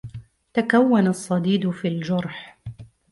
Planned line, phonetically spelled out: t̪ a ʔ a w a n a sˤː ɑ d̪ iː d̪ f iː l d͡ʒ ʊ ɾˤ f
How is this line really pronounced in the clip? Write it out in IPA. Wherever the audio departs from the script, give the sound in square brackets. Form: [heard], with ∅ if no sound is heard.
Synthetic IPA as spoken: t̪ a [k] a [wː] a n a sˤː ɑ d̪ iː d̪ f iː l d͡ʒ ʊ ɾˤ [ħ]

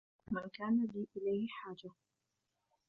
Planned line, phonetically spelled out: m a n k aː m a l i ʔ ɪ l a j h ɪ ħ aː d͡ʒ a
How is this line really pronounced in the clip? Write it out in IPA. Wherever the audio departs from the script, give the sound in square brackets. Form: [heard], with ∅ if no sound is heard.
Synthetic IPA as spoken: m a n k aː [n] a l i ʔ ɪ l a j h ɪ ħ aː d͡ʒ a

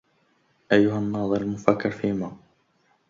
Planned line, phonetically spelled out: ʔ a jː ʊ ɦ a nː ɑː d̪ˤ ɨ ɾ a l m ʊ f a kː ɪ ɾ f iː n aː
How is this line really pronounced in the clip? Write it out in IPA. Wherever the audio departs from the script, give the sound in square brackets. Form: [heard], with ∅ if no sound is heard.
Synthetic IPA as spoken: ʔ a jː ʊ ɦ a nː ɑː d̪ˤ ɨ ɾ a l m ʊ f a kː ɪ ɾ f iː [m] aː

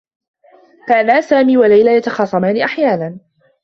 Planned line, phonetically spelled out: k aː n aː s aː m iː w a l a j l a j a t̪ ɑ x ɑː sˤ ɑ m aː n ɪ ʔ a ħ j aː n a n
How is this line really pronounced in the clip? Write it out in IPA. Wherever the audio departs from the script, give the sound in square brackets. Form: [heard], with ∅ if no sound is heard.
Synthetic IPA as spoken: k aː n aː s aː m iː w a l a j l a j a t̪ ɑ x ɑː sˤ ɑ m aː n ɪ ʔ a ħ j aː n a n

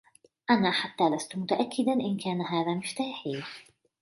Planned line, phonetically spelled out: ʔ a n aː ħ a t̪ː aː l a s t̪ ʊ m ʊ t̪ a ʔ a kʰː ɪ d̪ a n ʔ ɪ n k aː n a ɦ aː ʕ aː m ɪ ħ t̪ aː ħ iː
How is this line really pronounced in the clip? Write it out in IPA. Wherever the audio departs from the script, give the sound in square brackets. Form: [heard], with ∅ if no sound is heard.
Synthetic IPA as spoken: ʔ a n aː ħ a t̪ː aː l a s t̪ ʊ m ʊ t̪ a ʔ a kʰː ɪ d̪ a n ʔ ɪ n k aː n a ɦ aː [ð] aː m ɪ [f] t̪ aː ħ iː

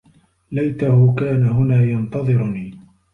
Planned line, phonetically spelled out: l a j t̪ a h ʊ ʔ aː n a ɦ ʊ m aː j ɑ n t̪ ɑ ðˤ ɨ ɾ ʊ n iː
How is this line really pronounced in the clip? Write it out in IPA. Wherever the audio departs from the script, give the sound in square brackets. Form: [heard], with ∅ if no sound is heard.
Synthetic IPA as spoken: l a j t̪ a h ʊ [k] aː n a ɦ ʊ [n] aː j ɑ n t̪ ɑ ðˤ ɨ ɾ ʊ n iː

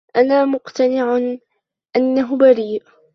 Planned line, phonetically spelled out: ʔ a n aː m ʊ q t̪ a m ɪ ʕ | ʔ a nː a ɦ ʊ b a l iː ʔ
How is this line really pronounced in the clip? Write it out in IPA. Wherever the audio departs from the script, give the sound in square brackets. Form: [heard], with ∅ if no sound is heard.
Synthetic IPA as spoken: ʔ a n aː m ʊ q t̪ a [n] ɪ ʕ | ʔ a nː a ɦ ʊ b a [ɾ] iː ʔ

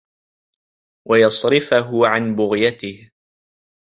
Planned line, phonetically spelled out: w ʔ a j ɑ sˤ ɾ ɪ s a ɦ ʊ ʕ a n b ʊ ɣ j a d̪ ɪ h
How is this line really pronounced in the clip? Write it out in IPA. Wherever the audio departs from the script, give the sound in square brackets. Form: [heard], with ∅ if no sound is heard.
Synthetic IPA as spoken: w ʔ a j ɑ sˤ ɾ ɪ [f] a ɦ ʊ ʕ a n b ʊ ɣ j a [t̪] ɪ h

